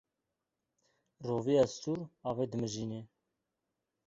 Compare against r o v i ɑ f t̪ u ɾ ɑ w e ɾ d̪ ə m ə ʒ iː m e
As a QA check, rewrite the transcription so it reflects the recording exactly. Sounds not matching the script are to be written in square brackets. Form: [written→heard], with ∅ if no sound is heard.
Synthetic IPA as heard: r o v i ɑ [f→s] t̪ u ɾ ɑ [w→v] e [ɾ→∅] d̪ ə m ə ʒ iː [m→n] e